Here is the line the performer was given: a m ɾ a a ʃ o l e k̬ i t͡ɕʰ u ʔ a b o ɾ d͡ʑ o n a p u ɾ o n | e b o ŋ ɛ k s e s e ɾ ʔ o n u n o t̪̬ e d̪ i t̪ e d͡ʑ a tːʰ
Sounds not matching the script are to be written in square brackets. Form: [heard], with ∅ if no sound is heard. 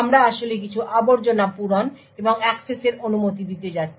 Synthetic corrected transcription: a m ɾ a a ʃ o l e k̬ i t͡ɕʰ u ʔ a b o ɾ d͡ʑ o n a p u ɾ o n | e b o ŋ ɛ k s e s e ɾ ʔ o n u [m] o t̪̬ [i] d̪ i t̪ e d͡ʑ a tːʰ